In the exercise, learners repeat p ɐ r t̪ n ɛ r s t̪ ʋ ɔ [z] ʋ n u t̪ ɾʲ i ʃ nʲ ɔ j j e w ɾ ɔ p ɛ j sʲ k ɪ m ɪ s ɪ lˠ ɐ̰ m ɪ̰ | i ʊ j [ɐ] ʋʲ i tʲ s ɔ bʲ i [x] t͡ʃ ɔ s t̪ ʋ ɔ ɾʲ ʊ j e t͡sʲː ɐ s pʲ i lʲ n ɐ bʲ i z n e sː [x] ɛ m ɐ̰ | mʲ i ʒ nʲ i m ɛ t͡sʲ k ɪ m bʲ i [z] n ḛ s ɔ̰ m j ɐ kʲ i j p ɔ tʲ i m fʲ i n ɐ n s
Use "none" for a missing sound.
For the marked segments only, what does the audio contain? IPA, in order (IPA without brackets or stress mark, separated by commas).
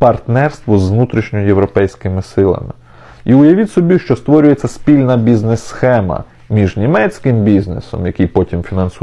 z, ɐ, ʃ, x, z